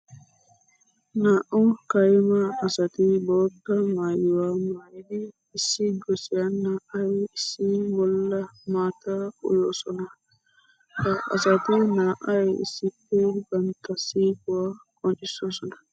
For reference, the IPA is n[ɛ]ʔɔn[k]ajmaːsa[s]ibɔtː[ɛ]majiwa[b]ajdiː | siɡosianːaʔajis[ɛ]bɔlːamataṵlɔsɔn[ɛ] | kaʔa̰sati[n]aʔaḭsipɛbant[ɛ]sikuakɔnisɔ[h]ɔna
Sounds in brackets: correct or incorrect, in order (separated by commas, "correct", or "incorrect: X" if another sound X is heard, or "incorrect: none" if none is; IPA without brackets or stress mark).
incorrect: a, correct, incorrect: t, incorrect: a, incorrect: m, incorrect: i, incorrect: a, correct, incorrect: a, incorrect: s